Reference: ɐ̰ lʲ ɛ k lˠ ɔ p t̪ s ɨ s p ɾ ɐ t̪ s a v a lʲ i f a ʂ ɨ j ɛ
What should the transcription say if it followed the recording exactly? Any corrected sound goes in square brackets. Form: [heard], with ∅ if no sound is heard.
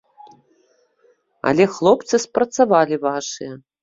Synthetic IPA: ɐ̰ lʲ ɛ [x] lˠ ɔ p t̪ s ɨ s p ɾ ɐ t̪ s a v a lʲ i [v] a ʂ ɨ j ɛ

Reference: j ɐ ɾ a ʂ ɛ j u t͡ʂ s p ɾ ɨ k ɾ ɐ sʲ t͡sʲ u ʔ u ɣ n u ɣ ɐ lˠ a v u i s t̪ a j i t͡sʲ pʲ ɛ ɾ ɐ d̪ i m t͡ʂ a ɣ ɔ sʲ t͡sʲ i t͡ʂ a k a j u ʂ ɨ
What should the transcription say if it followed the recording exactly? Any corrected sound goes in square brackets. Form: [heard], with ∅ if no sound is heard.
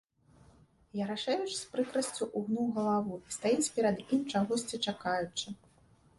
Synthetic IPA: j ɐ ɾ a ʂ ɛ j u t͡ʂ s p ɾ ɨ k ɾ ɐ sʲ t͡sʲ u ʔ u ɣ n u ɣ ɐ lˠ a v u i s t̪ a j i t͡sʲ pʲ ɛ ɾ ɐ d̪ i m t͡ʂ a ɣ ɔ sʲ t͡sʲ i t͡ʂ a k a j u [t͡ʂ] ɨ

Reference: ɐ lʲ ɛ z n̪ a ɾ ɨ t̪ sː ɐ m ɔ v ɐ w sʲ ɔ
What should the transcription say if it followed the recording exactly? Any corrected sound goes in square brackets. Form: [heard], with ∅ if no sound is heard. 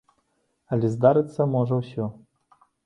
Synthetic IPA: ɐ lʲ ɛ z [d̪] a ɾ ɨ t̪ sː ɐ m ɔ [ʐ] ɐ w sʲ ɔ

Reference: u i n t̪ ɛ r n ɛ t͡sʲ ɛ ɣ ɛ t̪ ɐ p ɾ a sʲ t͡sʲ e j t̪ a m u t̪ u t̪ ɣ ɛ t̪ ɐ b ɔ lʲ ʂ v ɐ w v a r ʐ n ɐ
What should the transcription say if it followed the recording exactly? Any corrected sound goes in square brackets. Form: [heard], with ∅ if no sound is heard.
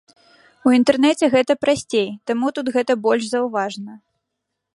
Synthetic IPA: u i n t̪ ɛ r n ɛ t͡sʲ ɛ ɣ ɛ t̪ ɐ p ɾ a sʲ t͡sʲ e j t̪ a m u t̪ u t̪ ɣ ɛ t̪ ɐ b ɔ lʲ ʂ [z] ɐ w v a [∅] ʐ n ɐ

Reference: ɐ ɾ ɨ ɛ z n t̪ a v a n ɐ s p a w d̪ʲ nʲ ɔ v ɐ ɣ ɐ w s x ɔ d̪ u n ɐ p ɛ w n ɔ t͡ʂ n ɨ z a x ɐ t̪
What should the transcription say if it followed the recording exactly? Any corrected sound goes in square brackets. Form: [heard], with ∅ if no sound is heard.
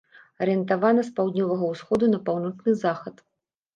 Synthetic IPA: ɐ ɾ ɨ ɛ [∅] n t̪ a v a n ɐ s p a w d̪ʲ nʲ ɔ v ɐ ɣ ɐ w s x ɔ d̪ u n ɐ p [a] w n ɔ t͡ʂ n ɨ z a x ɐ t̪

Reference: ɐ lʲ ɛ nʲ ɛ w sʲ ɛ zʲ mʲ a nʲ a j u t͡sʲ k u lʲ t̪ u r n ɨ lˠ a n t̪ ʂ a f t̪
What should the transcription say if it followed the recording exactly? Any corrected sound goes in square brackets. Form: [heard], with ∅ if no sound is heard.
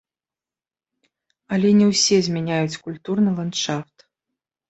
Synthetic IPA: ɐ lʲ ɛ nʲ ɛ w sʲ ɛ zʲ mʲ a nʲ a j u t͡sʲ k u lʲ t̪ u r n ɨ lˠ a n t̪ ʂ a f t̪

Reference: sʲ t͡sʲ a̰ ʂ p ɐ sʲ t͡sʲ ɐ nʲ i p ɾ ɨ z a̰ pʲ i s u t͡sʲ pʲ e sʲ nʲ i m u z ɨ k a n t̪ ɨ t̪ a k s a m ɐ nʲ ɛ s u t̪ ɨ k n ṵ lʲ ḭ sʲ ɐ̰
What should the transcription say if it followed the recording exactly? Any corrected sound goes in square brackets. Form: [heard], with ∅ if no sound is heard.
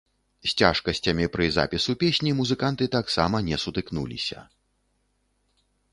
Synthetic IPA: sʲ t͡sʲ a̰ ʂ [k] ɐ sʲ t͡sʲ ɐ [mʲ] i p ɾ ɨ z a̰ pʲ i s u [∅] pʲ e sʲ nʲ i m u z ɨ k a n t̪ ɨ t̪ a k s a m ɐ nʲ ɛ s u t̪ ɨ k n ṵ lʲ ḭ sʲ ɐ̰

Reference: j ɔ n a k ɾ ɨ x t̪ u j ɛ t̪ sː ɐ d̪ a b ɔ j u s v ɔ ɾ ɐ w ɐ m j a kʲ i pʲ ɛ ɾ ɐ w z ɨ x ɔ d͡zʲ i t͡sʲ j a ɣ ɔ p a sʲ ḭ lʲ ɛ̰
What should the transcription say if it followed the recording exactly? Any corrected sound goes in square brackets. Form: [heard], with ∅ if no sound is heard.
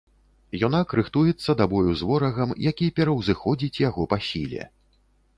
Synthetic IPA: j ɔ n a k ɾ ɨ x t̪ u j ɛ t̪ sː ɐ d̪ a b ɔ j u [z] v ɔ ɾ ɐ [ɣ] ɐ m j a kʲ i pʲ ɛ ɾ ɐ w z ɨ x ɔ d͡zʲ i t͡sʲ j a ɣ ɔ p a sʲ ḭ lʲ ɛ̰

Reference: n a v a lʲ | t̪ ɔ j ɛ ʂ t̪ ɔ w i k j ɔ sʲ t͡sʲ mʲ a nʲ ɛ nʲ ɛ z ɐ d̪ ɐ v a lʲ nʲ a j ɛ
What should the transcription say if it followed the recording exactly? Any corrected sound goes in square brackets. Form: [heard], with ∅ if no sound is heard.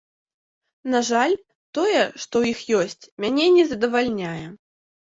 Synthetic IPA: n a [ʐ] a lʲ | t̪ ɔ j ɛ ʂ t̪ ɔ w i [x] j ɔ sʲ t͡sʲ mʲ a nʲ ɛ nʲ ɛ z ɐ d̪ ɐ v a lʲ nʲ a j ɛ

